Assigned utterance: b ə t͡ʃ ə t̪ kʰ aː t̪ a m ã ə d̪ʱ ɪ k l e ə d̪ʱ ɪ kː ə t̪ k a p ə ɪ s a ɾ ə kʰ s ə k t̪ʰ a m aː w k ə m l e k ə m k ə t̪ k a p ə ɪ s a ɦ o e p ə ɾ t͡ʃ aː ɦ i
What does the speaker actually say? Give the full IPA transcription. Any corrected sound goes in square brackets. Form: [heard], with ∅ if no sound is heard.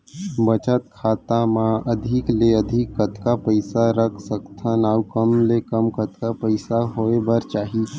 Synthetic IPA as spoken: b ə t͡ʃ ə t̪ kʰ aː t̪ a m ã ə d̪ʱ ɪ k l e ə d̪ʱ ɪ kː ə t̪ k a p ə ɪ s a ɾ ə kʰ s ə k t̪ʰ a [n] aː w k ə m l e k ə m k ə t̪ k a p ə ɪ s a ɦ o e [b] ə ɾ t͡ʃ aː ɦ i